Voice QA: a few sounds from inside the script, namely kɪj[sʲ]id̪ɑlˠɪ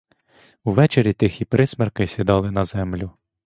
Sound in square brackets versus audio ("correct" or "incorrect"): correct